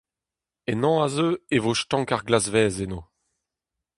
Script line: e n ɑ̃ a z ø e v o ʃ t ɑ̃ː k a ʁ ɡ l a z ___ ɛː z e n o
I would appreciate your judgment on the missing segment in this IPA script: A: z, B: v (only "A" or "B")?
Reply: B